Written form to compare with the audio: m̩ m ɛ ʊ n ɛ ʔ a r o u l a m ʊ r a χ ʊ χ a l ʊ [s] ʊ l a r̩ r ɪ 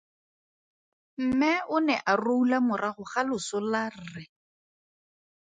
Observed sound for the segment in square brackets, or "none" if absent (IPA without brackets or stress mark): s